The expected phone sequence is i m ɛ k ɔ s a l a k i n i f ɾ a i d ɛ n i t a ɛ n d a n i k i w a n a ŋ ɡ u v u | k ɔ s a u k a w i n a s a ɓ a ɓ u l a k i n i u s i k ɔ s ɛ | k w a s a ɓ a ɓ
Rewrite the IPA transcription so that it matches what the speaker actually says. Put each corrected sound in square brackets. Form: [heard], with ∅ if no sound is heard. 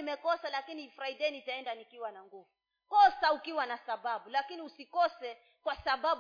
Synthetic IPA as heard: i m ɛ k ɔ s a l a k i n i f ɾ a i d ɛ n i t a ɛ n d a n i k i w a n a ŋ ɡ u v u | k ɔ s a u k [i] w [a] n a s a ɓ a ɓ u l a k i n i u s i k ɔ s ɛ | k w a s a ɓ a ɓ